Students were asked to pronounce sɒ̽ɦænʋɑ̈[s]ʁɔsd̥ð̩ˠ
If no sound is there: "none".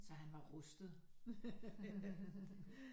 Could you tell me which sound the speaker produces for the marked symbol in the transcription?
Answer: none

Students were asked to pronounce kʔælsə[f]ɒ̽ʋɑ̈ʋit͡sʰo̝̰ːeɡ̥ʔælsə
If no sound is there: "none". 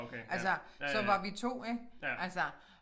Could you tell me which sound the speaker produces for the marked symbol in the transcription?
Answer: s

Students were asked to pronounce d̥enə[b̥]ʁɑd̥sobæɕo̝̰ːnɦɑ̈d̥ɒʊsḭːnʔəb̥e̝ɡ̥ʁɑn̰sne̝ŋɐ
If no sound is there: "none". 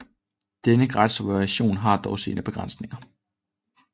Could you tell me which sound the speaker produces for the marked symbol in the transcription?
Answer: ɡ̥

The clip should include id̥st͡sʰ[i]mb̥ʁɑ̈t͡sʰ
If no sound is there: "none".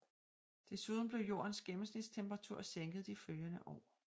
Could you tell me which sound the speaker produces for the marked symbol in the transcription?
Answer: e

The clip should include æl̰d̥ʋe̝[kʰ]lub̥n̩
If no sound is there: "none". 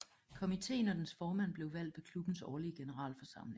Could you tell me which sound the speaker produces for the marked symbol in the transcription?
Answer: kʰ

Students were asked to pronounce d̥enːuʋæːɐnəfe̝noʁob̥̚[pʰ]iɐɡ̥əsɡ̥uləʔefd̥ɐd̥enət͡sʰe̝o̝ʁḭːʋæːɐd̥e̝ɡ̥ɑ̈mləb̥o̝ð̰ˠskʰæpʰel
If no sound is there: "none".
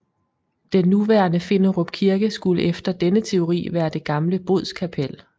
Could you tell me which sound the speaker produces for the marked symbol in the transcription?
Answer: kʰ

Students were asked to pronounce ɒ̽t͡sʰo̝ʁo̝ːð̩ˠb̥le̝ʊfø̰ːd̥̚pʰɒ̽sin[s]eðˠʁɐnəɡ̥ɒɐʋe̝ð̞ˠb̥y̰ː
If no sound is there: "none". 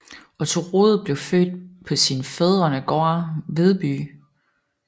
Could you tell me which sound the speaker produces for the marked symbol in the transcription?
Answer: f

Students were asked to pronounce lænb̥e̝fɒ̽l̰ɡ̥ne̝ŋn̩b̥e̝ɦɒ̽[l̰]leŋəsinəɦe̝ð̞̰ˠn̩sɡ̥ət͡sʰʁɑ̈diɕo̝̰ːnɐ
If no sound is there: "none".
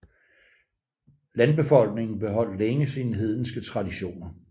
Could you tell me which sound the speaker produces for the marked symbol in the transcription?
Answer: l̰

